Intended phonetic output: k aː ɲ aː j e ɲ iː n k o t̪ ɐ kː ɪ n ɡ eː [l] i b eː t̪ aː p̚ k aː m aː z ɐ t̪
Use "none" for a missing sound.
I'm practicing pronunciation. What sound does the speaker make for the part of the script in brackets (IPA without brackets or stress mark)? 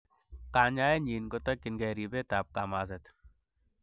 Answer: ɾ